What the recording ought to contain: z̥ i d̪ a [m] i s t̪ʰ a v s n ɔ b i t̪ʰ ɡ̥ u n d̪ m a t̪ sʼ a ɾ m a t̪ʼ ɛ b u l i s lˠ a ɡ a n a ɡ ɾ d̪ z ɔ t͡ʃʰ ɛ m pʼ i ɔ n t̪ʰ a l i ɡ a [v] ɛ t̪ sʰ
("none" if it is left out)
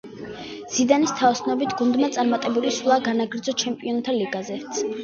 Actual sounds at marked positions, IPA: n, z

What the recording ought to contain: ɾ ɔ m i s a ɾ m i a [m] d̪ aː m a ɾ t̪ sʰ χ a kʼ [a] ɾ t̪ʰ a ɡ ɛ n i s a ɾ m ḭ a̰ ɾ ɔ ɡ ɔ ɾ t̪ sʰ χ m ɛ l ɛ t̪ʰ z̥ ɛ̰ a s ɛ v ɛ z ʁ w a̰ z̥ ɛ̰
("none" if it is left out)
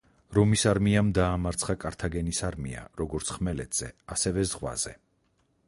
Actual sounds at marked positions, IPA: m, a

